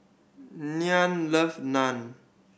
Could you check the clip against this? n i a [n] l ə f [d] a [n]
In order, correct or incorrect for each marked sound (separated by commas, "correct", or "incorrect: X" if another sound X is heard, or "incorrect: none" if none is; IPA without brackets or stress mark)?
correct, incorrect: n, correct